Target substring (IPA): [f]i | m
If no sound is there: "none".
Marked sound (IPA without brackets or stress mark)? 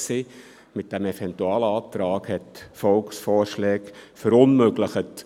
s